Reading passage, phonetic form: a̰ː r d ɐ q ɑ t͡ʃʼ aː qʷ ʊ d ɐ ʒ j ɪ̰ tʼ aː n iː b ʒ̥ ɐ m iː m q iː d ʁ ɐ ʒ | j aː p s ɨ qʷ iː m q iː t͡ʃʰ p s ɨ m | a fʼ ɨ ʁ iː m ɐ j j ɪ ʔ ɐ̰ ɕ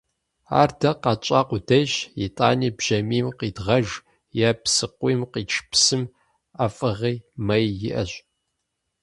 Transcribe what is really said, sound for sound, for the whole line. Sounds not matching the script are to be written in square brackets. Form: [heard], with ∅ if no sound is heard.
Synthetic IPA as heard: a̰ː r d ɐ q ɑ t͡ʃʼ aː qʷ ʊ d ɐ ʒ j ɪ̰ tʼ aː n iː b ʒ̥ ɐ m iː m q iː d ʁ ɐ ʒ | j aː p s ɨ qʷ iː m q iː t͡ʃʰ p s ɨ m | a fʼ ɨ ʁ iː m ɐ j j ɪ ʔ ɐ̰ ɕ